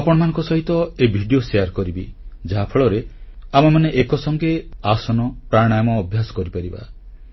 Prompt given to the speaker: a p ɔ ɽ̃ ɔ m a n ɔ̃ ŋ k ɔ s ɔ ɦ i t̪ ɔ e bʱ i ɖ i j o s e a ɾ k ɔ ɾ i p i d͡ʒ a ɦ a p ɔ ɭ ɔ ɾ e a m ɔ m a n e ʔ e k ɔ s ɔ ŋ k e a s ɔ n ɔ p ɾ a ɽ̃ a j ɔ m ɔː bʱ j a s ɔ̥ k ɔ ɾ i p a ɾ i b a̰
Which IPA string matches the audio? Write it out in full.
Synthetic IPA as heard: a p ɔ ɽ̃ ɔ m a n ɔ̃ ŋ k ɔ s ɔ ɦ i t̪ ɔ e bʱ i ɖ i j o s e a ɾ k ɔ ɾ i b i d͡ʒ a ɦ a pʰ ɔ ɭ ɔ ɾ e a m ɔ m a n e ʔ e k ɔ s ɔ ŋ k e a s ɔ n ɔ p ɾ a ɽ̃ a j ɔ m ɔː bʱ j a s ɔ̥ k ɔ ɾ i p a ɾ i b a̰